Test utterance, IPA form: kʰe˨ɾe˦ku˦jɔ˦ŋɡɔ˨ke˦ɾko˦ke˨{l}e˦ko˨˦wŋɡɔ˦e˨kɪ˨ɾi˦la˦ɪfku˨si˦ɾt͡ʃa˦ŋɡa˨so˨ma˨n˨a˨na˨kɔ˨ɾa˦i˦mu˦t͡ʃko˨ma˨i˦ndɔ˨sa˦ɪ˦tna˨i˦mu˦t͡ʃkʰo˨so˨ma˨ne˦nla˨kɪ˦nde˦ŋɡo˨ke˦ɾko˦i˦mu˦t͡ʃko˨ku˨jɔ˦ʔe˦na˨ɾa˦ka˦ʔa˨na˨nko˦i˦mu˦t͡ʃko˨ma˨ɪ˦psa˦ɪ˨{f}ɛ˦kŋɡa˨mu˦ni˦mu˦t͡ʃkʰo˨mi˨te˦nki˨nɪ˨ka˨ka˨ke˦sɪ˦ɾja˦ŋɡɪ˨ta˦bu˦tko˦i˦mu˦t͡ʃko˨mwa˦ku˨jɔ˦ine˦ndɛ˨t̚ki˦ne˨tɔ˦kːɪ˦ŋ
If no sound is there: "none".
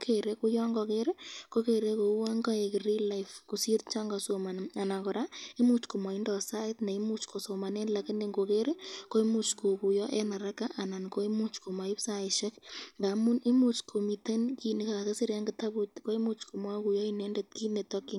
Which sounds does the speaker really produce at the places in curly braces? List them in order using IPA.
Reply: ɾ, ʃ

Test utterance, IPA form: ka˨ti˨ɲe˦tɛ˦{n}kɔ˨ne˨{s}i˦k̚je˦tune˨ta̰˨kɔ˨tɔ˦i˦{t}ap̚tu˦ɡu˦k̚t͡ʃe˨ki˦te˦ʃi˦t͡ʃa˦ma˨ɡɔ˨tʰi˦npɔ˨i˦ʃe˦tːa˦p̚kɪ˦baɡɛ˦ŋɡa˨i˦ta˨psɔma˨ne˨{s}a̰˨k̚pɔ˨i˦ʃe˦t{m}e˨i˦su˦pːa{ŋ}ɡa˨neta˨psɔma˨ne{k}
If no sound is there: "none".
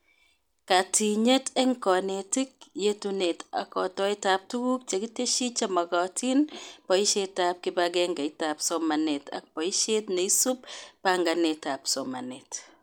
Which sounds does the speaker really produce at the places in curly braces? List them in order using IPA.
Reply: ŋ, t, t, t, n, ŋ, t

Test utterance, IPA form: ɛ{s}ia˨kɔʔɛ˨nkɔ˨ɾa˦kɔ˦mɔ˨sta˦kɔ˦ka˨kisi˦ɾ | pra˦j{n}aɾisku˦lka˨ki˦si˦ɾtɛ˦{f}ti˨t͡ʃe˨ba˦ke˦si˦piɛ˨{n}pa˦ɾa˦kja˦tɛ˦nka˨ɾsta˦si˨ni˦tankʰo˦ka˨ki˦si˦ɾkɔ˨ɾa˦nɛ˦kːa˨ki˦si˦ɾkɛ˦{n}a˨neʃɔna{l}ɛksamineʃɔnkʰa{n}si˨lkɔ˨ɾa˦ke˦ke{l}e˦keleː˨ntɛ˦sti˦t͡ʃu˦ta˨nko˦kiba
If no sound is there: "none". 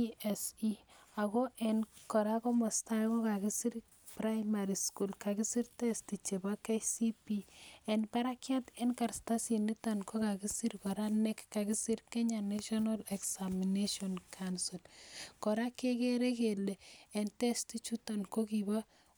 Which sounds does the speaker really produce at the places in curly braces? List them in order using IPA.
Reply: s, m, s, n, ɲ, l, n, ɾ

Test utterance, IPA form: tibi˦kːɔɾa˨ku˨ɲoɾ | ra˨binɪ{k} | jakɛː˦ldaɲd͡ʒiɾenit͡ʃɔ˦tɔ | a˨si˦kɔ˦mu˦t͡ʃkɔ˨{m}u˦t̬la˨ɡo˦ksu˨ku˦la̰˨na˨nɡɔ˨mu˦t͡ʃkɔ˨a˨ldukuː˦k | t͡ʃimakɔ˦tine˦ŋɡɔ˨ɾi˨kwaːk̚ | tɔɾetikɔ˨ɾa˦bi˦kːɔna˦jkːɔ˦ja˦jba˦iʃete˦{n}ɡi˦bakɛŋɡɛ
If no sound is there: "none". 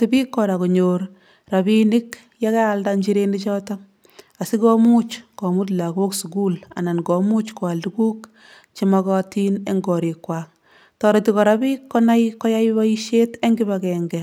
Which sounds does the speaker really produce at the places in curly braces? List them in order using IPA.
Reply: k, m, ŋ

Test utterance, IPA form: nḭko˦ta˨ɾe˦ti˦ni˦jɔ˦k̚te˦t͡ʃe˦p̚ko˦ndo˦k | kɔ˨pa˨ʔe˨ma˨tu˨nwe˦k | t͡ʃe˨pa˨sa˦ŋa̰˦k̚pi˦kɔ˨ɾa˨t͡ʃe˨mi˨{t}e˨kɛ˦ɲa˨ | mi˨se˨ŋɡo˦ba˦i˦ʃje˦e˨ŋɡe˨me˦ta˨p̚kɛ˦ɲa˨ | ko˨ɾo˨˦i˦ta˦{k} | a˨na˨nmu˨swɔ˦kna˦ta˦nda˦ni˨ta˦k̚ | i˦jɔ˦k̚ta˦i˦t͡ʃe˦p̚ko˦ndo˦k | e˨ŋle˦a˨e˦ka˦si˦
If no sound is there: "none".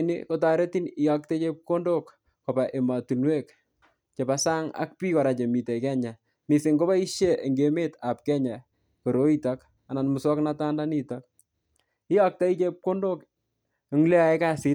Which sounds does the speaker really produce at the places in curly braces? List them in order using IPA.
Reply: t, k

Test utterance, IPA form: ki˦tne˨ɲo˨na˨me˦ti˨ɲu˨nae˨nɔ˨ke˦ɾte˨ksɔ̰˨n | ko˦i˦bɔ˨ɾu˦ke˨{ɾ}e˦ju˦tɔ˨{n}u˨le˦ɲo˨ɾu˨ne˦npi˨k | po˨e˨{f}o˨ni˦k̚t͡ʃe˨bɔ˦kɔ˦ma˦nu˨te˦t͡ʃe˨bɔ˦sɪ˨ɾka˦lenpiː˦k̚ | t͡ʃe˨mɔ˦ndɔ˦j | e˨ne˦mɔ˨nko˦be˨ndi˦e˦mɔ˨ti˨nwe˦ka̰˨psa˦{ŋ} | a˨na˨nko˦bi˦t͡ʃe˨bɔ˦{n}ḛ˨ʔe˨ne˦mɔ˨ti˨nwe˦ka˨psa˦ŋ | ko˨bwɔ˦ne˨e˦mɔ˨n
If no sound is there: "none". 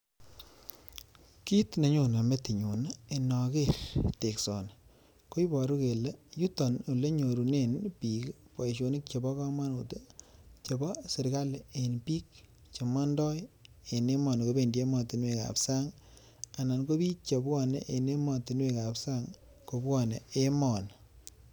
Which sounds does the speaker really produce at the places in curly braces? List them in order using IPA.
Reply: l, n, ʃ, ŋ, n

